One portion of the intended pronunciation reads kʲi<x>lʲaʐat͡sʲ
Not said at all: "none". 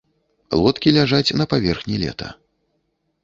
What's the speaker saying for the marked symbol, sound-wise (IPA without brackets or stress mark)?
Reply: none